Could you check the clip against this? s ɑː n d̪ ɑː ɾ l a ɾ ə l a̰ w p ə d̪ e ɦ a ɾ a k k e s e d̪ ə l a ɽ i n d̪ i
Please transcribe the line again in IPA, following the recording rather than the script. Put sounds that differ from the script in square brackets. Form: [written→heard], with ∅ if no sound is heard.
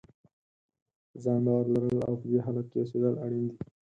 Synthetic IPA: [s→z] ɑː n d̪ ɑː ɾ l a ɾ ə l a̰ w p ə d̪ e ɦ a [ɾ→l] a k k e s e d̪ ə l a ɽ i n d̪ i